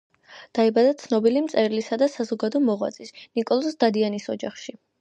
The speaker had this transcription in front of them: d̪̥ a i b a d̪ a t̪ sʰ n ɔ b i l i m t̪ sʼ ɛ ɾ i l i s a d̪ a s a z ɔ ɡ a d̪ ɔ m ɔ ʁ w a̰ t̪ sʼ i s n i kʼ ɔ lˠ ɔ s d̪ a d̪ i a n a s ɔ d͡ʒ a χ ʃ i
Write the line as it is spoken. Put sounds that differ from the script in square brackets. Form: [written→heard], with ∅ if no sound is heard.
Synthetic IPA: d̪̥ a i b a d̪ a t̪ sʰ n ɔ b i l i m t̪ sʼ ɛ ɾ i l i s a d̪ a s a z ɔ ɡ a d̪ ɔ m ɔ ʁ w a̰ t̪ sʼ i s n i kʼ ɔ lˠ ɔ s d̪ a d̪ i a n [a→i] s ɔ d͡ʒ a χ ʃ i

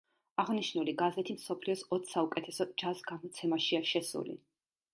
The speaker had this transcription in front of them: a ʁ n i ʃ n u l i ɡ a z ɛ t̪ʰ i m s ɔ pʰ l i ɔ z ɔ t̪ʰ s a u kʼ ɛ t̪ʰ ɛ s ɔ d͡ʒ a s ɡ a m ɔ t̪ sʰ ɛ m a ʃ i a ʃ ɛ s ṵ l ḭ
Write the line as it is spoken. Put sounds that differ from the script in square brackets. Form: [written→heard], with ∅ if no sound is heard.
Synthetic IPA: a ʁ n i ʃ n u l i ɡ a z ɛ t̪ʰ i m s ɔ pʰ l i ɔ [z→s] ɔ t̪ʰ s a u kʼ ɛ t̪ʰ ɛ s ɔ d͡ʒ a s ɡ a m ɔ t̪ sʰ ɛ m a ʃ i a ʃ ɛ s ṵ l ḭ

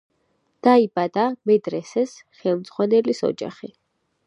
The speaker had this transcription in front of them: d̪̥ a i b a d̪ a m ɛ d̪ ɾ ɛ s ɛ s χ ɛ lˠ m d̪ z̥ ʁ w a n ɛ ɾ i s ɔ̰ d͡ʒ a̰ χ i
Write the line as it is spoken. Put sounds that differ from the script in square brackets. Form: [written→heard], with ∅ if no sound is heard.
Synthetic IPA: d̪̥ a i b a d̪ a m ɛ d̪ ɾ ɛ s ɛ s χ ɛ lˠ m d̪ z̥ ʁ w a n ɛ [ɾ→l] i s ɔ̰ d͡ʒ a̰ χ i

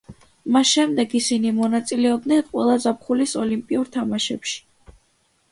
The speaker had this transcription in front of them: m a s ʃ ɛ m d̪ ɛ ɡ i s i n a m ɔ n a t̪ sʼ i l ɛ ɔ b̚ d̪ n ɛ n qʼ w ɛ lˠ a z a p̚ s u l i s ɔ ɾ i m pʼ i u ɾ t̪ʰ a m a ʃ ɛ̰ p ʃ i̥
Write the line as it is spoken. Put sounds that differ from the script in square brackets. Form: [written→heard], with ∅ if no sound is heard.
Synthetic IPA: m a s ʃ ɛ m d̪ ɛ ɡ i s i n [a→i] m ɔ n a t̪ sʼ i l ɛ ɔ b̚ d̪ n ɛ n qʼ w ɛ lˠ a z a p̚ [s→χ] u l i s ɔ [ɾ→l] i m pʼ i u ɾ t̪ʰ a m a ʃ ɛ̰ p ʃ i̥

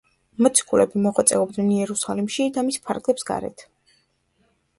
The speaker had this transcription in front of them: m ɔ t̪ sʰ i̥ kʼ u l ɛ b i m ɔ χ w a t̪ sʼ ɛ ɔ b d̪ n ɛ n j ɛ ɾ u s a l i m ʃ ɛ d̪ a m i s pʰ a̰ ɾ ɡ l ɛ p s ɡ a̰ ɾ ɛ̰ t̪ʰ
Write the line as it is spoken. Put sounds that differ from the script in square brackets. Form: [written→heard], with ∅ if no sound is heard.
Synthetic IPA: m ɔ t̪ sʰ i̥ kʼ u l ɛ b i m ɔ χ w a t̪ sʼ ɛ ɔ b d̪ n ɛ n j ɛ ɾ u s a l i m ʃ [ɛ→i] d̪ a m i s pʰ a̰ ɾ ɡ l ɛ p s ɡ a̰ ɾ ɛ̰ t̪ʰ

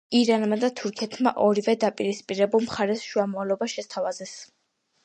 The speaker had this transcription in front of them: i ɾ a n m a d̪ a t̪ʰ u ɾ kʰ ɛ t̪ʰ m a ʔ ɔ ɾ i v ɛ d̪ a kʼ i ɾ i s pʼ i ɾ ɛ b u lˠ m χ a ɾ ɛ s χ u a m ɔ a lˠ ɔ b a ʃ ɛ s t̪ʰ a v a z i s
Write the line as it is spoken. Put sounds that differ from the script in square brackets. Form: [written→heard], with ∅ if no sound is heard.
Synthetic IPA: i ɾ a n m a d̪ a t̪ʰ u ɾ kʰ ɛ t̪ʰ m a ʔ ɔ ɾ i v ɛ d̪ a [kʼ→pʼ] i ɾ i s pʼ i ɾ ɛ b u lˠ m χ a ɾ ɛ s [χ→ʃ] u a m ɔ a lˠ ɔ b a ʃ ɛ s t̪ʰ a v a z [i→ɛ] s

